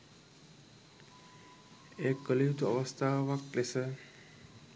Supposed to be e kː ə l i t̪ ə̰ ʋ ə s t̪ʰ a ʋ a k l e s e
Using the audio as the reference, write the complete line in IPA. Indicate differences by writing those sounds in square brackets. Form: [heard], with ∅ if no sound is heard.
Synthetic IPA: e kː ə l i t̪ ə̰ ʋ ə s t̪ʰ a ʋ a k l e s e